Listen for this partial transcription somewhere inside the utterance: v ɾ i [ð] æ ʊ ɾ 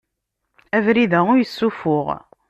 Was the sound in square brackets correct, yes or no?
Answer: yes